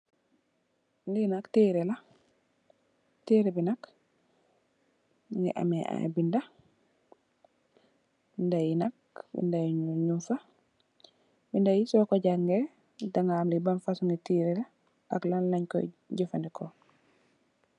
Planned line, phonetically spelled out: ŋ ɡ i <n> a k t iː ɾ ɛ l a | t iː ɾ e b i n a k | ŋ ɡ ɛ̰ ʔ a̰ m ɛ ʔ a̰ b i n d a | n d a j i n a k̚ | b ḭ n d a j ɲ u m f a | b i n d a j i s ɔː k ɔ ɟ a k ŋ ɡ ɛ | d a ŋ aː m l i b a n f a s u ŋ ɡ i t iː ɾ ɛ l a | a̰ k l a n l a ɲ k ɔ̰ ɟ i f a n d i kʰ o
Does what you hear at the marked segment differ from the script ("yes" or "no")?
no